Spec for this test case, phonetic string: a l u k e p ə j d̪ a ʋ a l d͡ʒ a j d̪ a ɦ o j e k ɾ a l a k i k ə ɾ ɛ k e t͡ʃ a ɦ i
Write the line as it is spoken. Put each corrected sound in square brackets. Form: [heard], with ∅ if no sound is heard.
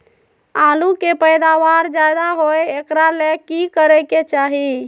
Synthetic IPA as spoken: a l u k e p ə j d̪ a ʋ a [ɾ] d͡ʒ a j d̪ a ɦ o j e k ɾ a l [e] k i k ə ɾ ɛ k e t͡ʃ a ɦ i